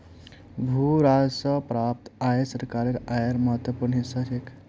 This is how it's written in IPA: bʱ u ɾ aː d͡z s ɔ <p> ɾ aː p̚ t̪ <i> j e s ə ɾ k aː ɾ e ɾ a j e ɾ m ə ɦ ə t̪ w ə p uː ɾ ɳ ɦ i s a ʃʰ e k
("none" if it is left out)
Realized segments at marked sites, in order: p, a

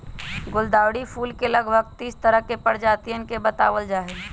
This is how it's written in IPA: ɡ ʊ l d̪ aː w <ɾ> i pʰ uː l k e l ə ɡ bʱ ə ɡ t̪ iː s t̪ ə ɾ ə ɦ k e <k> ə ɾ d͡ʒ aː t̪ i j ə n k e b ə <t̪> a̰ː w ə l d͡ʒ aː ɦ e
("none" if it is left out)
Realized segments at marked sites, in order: ɽ, p, t̪

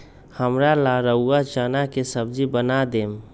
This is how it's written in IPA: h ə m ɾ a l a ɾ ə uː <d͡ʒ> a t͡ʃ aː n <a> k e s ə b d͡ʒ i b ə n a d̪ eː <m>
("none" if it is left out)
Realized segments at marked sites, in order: none, a, m

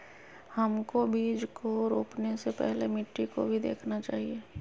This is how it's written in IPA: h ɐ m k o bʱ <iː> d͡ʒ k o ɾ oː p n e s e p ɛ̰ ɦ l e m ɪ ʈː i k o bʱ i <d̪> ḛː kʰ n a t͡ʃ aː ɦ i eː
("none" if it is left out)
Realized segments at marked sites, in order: iː, d̪

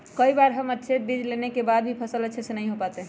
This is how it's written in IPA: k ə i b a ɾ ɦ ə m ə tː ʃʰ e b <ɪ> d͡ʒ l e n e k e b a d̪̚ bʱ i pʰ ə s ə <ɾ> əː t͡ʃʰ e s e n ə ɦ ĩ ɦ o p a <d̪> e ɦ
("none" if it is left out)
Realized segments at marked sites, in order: i, l, t̪

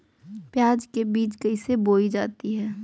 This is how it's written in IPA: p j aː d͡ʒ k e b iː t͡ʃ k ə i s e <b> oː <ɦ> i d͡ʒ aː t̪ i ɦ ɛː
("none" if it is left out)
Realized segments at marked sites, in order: b, none

